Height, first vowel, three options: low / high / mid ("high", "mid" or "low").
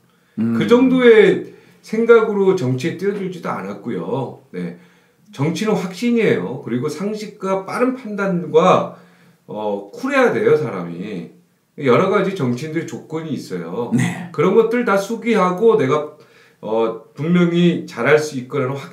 high